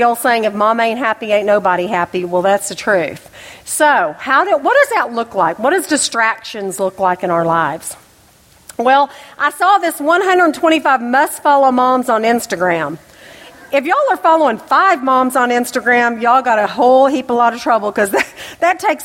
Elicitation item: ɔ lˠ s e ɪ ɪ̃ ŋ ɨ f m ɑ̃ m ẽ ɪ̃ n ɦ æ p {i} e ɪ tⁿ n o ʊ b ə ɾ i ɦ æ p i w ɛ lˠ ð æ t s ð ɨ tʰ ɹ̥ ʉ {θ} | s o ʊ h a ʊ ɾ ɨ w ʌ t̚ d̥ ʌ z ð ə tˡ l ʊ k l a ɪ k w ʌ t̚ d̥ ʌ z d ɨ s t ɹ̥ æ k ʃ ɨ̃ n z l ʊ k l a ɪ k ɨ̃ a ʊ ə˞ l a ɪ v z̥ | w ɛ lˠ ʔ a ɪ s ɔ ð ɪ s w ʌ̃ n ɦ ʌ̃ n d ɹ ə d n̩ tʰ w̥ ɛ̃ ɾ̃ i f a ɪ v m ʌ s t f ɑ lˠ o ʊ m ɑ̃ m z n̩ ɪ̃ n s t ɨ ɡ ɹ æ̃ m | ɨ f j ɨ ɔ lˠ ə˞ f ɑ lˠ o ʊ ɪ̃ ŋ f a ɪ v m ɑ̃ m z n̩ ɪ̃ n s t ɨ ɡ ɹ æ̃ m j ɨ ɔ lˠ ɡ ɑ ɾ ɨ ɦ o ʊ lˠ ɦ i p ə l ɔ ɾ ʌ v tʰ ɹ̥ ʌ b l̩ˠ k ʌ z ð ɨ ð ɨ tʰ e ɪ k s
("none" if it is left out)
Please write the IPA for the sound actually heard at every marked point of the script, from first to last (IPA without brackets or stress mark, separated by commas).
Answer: i, θ